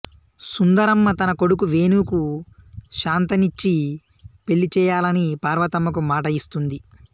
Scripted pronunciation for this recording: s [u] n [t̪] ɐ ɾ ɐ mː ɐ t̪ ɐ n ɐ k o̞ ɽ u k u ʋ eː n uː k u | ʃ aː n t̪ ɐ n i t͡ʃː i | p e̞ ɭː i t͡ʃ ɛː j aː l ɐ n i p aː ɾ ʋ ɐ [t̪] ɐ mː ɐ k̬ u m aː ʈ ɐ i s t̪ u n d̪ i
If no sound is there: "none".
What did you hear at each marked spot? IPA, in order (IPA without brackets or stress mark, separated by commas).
u, d̪, t̪